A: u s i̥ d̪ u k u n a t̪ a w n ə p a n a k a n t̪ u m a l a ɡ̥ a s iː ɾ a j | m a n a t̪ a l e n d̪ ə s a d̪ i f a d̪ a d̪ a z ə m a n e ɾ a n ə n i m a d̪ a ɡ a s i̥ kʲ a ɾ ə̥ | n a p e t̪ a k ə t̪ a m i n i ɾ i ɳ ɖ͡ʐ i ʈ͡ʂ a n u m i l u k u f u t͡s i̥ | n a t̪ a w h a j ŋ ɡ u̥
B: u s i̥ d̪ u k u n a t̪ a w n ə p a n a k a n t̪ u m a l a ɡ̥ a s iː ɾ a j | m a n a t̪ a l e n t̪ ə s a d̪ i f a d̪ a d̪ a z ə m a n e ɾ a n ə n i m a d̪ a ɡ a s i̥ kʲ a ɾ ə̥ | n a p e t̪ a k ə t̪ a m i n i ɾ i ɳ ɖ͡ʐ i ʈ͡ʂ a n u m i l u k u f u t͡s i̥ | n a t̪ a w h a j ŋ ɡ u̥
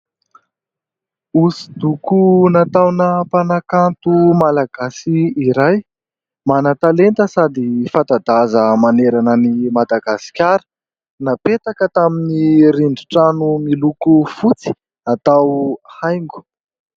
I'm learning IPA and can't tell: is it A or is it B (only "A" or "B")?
B